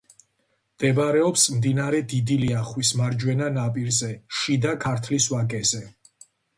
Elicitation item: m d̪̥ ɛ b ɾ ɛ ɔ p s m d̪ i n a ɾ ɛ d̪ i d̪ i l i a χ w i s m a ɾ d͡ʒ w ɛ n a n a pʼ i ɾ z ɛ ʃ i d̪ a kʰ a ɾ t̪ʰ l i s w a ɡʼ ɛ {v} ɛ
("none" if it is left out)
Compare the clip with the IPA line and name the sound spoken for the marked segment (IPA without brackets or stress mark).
z